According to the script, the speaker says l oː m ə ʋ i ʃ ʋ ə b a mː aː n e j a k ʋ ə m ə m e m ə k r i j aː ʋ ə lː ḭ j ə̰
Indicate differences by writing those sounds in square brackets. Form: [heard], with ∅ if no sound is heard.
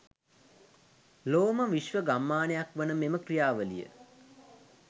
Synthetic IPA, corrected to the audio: l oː m ə ʋ i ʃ ʋ ə [ɡ] a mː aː n e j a k ʋ ə [n] ə m e m ə k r i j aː ʋ ə [l] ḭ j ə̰